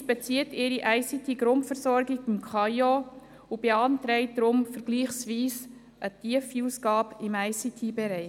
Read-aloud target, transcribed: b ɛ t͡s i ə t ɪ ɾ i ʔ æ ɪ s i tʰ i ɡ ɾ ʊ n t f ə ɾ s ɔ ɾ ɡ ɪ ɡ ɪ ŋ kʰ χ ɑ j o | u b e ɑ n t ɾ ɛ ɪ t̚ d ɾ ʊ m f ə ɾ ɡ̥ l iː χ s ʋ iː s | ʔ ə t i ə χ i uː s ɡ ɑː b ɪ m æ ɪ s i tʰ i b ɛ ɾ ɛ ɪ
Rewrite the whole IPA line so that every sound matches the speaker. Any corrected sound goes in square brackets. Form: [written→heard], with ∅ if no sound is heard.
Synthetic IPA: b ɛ t͡s i ə t ɪ ɾ i ʔ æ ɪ s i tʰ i ɡ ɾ ʊ n t f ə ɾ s ɔ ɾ ɡ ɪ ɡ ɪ [ŋ→m] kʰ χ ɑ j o | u b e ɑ n t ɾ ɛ ɪ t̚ d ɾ ʊ m f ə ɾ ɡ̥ l iː χ s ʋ iː s | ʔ ə t i ə [χ→f] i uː s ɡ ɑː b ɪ m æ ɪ s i tʰ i b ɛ ɾ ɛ ɪ